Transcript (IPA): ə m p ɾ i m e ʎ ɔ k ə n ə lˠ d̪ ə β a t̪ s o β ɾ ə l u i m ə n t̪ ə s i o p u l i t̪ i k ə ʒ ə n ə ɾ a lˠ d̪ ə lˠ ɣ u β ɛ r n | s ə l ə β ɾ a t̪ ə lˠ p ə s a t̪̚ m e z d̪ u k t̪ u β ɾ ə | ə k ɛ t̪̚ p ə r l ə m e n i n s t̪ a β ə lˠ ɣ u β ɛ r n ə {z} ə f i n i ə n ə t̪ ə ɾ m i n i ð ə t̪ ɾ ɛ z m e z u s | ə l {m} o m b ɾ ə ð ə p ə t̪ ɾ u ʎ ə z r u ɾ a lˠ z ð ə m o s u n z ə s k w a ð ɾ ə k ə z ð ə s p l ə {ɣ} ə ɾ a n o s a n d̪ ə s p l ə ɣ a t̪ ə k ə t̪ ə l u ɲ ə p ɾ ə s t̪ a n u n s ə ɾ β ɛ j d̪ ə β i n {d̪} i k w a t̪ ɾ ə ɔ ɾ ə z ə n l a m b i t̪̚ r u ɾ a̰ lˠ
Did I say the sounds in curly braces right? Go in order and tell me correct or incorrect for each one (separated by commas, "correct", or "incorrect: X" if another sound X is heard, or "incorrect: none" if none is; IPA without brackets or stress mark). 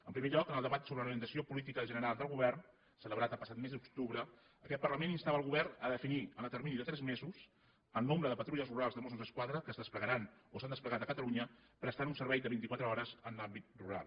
incorrect: ð, incorrect: n, correct, incorrect: t̪